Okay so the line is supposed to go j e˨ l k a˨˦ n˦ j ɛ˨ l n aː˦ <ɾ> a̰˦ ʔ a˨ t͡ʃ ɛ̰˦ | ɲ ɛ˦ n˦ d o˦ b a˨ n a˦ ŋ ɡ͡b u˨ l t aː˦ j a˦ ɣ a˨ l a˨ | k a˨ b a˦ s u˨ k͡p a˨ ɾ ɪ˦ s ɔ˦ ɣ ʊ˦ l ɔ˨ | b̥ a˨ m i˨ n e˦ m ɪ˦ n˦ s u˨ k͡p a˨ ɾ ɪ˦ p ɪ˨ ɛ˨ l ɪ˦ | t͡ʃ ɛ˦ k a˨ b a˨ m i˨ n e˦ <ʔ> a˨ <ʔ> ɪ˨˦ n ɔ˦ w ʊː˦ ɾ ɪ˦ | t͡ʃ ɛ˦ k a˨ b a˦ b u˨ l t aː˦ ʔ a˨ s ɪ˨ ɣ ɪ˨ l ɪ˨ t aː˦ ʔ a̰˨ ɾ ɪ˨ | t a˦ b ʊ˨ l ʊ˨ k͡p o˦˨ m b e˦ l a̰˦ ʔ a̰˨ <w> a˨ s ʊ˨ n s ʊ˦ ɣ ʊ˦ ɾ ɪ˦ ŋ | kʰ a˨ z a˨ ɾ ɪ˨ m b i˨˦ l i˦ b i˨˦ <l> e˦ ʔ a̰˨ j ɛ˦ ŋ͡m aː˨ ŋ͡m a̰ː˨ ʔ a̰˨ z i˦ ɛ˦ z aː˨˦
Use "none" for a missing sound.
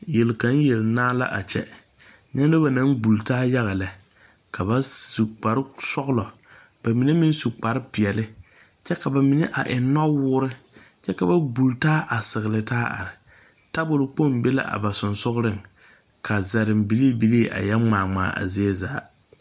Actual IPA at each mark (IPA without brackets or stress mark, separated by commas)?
l, ʔ, ʔ, b, l